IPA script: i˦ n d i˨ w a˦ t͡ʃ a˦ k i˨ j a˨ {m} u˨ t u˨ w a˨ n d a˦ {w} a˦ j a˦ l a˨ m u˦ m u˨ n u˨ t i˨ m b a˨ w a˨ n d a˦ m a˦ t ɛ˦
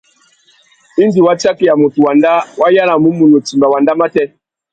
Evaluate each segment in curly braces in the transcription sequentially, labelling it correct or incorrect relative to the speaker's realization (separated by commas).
correct, correct